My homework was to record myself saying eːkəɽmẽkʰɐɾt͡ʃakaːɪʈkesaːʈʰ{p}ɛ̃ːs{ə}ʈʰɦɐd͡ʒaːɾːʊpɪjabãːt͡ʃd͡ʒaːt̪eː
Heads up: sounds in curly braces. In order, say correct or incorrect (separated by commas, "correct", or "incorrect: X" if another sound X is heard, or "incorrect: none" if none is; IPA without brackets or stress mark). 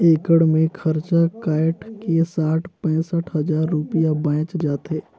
correct, correct